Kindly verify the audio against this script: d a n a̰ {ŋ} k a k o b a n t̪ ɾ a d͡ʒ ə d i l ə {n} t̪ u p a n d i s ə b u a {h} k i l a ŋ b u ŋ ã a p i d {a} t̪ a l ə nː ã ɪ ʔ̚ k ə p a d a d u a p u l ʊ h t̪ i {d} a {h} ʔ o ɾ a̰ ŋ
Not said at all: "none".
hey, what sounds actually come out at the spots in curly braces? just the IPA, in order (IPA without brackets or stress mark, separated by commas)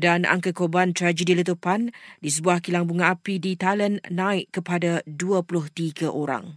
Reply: ŋ, none, h, i, ɡ, none